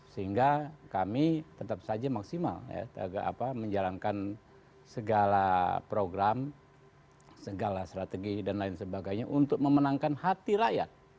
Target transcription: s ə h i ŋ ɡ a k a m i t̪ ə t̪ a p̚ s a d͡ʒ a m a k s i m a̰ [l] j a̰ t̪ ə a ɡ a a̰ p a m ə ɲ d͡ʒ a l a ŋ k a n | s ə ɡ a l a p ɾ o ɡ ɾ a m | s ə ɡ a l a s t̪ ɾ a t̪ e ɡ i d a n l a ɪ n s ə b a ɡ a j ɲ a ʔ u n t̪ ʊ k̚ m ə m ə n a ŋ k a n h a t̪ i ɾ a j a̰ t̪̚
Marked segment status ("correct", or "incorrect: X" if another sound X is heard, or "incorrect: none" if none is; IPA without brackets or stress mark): correct